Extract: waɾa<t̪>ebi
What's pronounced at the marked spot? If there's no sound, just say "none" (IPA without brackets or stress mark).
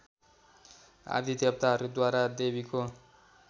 d̪